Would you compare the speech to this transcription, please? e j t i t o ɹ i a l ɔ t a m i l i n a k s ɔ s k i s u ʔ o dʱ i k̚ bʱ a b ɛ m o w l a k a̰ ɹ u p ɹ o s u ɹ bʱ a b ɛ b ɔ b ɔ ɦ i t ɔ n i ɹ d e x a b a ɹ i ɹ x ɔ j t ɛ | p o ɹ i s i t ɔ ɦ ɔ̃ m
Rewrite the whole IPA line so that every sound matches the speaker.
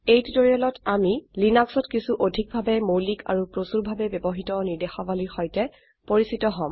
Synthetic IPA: e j t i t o ɹ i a l ɔ t a m i l i n a k s ɔ t k i s u ʔ o dʱ i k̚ bʱ a b ɛ m o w l i k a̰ ɹ u p ɹ o s u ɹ bʱ a b ɛ b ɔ b ɔ ɦ i t ɔ n i ɹ d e x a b a l i ɹ x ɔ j t ɛ | p o ɹ i s i t ɔ ɦ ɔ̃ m